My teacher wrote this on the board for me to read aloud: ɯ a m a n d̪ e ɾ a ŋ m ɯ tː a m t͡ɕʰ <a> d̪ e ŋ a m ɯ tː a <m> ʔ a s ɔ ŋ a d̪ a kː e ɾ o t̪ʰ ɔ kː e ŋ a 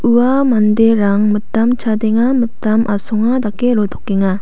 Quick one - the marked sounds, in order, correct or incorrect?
correct, correct

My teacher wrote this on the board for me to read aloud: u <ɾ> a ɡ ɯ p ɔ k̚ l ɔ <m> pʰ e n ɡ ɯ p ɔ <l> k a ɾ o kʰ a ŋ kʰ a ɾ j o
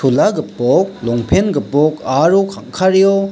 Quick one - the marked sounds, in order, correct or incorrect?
incorrect, incorrect, incorrect

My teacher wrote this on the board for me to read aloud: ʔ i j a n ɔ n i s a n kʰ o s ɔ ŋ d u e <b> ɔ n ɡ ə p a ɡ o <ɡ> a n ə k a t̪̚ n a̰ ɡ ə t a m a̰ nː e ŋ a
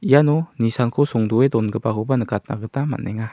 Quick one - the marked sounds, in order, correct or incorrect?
incorrect, incorrect

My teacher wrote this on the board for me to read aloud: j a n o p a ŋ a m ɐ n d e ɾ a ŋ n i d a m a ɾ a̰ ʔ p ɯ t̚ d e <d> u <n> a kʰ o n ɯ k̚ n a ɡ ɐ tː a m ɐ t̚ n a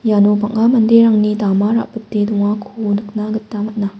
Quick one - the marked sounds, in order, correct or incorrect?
correct, incorrect

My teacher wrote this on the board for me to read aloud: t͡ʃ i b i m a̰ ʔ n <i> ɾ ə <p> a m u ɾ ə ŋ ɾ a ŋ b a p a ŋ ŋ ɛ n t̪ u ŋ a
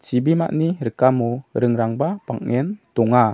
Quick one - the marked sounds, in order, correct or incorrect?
correct, incorrect

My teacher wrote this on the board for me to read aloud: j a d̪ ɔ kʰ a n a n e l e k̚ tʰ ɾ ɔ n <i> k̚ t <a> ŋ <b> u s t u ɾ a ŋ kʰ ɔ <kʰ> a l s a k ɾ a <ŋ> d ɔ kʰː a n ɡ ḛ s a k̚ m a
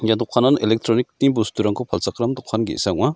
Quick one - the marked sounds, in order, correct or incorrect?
correct, incorrect, correct, incorrect, incorrect

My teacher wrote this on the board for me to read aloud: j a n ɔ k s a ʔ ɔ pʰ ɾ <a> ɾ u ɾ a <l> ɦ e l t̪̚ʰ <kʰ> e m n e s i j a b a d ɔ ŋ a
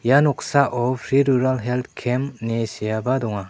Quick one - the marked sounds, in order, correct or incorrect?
incorrect, correct, correct

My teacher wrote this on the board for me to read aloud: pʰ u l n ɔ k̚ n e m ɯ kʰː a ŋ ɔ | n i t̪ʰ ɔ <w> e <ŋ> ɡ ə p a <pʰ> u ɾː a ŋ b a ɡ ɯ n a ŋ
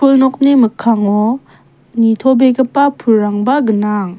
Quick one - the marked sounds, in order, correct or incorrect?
incorrect, incorrect, correct

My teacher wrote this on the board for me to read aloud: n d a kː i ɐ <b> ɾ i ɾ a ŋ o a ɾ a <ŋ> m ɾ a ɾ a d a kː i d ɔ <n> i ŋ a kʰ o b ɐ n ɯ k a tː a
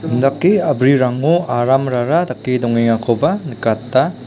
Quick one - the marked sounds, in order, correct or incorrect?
correct, incorrect, incorrect

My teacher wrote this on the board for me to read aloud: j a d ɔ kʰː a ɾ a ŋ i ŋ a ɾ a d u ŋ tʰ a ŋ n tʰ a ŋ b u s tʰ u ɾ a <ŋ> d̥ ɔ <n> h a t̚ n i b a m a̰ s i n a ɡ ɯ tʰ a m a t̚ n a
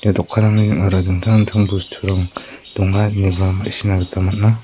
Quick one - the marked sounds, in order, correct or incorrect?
correct, incorrect

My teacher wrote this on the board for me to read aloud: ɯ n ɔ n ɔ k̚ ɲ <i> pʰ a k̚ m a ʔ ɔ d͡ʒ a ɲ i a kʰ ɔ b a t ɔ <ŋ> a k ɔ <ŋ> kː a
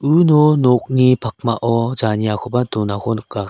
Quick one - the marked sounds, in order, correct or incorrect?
correct, incorrect, incorrect

